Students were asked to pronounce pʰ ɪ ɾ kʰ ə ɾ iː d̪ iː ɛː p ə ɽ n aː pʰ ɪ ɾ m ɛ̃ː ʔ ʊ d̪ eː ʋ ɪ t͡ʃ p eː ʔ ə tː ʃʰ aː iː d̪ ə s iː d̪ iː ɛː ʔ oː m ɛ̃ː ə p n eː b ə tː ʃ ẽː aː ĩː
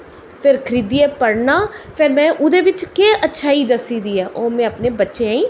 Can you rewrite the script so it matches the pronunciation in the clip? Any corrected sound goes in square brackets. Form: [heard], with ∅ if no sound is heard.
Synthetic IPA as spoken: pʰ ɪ ɾ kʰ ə ɾ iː d̪ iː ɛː p ə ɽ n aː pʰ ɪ ɾ m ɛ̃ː ʔ ʊ d̪ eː ʋ ɪ t͡ʃ [k] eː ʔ ə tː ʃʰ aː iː d̪ ə s iː d̪ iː ɛː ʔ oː m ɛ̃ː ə p n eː b ə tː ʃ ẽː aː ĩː